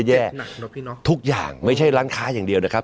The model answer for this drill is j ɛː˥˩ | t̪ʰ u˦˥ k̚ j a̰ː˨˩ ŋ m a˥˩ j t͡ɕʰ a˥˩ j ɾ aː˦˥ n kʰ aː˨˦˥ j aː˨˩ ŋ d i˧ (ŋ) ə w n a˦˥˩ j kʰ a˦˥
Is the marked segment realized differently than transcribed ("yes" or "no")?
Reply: yes